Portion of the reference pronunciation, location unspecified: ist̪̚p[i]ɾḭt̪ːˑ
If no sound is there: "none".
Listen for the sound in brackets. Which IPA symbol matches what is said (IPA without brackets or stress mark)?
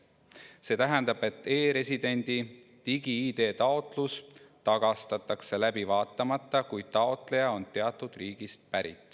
æ